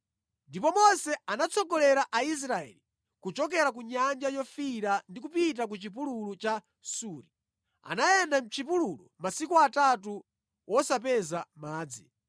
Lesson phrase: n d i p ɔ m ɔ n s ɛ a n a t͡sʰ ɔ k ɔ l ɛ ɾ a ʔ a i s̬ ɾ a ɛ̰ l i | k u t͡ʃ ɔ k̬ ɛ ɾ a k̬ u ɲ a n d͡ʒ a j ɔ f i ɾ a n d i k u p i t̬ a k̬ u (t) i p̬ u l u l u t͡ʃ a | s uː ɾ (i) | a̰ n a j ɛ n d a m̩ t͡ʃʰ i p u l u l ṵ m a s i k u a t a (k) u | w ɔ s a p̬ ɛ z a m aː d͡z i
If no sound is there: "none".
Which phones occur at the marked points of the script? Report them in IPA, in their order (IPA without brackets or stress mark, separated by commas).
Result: t͡ʃ, i, t